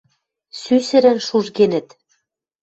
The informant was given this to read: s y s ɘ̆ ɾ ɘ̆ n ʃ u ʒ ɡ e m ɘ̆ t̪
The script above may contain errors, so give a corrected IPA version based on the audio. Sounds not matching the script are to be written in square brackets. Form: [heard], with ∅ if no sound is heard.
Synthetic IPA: s y s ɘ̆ ɾ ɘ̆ n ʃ u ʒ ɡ e [n] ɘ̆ t̪